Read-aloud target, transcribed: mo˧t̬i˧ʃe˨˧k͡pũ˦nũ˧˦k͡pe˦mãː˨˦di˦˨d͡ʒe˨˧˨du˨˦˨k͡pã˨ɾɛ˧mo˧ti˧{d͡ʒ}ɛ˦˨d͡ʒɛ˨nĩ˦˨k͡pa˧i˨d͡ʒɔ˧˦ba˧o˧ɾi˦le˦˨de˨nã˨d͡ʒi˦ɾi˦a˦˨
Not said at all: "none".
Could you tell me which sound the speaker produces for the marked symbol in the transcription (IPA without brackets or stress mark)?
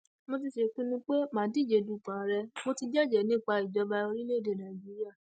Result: d͡ʒ